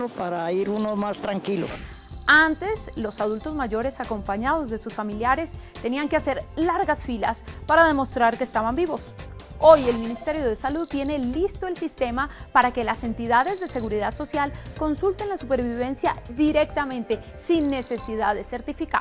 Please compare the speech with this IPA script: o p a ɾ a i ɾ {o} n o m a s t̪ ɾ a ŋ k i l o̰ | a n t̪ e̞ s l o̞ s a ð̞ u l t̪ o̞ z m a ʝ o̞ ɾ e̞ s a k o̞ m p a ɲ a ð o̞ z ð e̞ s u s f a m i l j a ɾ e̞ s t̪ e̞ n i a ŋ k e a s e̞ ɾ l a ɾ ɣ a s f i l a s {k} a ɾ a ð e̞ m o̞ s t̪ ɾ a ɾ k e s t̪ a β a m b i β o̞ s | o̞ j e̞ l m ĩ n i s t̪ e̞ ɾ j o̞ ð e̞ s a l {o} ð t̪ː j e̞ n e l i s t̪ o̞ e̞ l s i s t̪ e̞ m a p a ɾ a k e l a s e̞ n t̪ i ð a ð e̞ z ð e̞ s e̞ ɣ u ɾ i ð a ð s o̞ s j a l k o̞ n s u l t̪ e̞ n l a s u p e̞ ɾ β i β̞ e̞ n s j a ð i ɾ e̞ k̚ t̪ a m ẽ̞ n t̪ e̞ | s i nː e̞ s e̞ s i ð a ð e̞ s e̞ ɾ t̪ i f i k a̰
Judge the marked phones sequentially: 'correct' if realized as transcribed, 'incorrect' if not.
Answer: incorrect, incorrect, incorrect

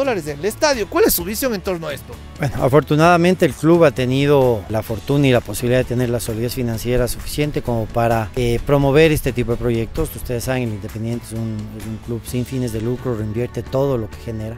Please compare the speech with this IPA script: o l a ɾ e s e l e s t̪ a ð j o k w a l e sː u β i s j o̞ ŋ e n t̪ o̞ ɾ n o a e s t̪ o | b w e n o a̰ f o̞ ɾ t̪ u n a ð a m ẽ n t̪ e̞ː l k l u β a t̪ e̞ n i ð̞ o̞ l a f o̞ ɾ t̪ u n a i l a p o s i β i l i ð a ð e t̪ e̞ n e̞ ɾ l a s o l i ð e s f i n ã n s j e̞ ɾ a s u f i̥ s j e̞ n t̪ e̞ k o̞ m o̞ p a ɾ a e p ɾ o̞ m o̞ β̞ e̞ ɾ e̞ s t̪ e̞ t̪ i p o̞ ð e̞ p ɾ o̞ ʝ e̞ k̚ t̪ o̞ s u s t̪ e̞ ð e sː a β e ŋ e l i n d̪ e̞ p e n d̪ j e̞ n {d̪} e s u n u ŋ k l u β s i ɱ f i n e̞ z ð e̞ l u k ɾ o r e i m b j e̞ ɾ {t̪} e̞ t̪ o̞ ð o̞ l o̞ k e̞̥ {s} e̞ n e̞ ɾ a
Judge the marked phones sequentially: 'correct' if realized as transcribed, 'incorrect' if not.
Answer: incorrect, correct, incorrect

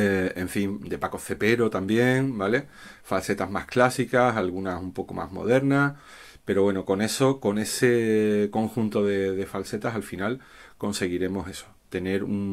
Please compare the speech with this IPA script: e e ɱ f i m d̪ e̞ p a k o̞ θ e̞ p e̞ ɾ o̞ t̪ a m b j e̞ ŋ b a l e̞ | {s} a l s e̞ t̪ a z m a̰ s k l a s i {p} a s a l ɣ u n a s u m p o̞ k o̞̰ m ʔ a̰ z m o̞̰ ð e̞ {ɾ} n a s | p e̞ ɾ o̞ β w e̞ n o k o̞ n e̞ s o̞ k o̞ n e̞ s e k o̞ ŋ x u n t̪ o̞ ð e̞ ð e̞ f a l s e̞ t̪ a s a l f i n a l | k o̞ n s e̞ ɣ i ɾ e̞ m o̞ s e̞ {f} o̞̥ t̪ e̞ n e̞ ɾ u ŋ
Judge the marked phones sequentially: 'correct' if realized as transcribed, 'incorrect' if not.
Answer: incorrect, incorrect, correct, incorrect

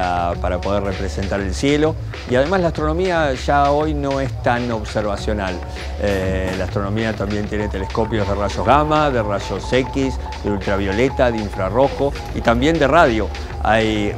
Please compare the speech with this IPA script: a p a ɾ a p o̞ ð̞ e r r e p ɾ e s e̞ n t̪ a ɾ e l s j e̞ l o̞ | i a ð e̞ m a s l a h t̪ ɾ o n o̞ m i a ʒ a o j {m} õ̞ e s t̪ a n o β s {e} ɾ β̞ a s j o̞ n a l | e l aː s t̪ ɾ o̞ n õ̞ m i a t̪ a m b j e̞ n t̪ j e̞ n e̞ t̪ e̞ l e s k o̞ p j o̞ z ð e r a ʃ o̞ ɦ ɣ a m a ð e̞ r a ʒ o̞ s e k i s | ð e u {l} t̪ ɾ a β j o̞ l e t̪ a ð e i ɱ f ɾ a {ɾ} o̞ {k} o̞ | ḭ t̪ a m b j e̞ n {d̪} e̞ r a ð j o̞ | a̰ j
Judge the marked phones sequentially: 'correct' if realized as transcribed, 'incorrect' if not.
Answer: incorrect, correct, correct, incorrect, incorrect, correct

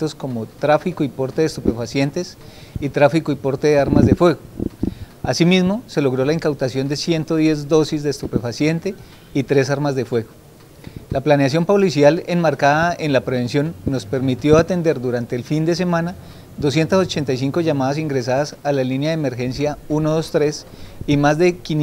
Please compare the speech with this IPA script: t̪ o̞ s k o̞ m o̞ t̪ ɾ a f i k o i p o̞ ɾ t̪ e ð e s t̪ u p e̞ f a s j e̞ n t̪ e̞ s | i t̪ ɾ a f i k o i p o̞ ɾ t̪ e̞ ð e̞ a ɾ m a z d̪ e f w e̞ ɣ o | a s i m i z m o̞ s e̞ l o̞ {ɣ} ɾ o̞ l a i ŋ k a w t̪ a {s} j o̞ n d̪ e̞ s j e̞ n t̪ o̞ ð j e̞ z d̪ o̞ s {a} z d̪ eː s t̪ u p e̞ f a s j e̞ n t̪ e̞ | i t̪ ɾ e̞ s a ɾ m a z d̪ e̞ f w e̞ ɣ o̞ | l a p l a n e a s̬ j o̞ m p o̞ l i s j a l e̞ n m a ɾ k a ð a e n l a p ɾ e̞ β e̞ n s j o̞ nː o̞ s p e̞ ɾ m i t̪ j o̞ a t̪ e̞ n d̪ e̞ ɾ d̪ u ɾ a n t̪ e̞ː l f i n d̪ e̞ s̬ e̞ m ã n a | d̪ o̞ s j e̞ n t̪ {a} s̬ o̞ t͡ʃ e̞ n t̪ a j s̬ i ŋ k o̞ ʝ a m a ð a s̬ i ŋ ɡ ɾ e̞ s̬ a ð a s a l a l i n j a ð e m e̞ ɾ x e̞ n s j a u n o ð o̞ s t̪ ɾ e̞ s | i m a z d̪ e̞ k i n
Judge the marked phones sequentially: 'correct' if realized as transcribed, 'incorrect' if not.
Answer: correct, correct, incorrect, correct

